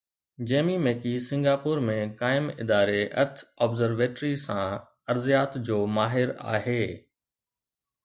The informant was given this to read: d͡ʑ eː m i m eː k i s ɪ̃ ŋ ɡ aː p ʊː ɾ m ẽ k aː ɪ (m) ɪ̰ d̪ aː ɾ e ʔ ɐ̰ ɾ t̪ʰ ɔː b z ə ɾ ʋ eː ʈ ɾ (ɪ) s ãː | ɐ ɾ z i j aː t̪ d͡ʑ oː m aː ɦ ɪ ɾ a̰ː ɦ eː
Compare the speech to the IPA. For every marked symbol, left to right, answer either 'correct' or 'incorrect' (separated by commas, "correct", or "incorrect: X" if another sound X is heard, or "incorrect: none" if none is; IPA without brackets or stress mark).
correct, incorrect: i